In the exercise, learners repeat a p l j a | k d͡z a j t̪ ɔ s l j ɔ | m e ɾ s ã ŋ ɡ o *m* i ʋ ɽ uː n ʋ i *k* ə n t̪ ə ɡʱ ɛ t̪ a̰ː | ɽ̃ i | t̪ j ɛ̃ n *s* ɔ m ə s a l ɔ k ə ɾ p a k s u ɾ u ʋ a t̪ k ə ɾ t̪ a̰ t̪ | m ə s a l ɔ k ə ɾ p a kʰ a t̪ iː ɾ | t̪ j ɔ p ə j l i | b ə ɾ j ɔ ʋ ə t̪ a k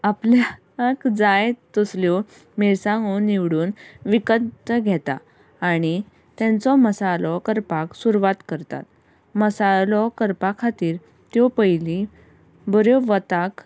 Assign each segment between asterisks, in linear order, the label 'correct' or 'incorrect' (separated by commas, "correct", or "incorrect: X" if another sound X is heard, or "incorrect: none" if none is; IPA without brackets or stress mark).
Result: incorrect: n, correct, incorrect: t͡s